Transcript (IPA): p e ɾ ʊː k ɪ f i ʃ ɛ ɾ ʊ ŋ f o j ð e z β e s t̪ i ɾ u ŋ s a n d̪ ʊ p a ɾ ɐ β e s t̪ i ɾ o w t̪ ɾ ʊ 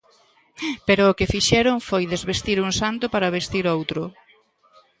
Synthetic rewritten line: p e ɾ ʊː k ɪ f i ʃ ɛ ɾ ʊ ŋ f o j ð e z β e s t̪ i ɾ u ŋ s a n t̪ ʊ p a ɾ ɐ β e s t̪ i ɾ o w t̪ ɾ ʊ